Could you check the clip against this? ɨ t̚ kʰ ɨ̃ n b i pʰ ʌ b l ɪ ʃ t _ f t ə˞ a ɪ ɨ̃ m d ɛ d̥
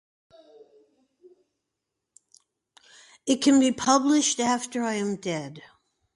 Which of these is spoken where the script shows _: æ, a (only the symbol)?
æ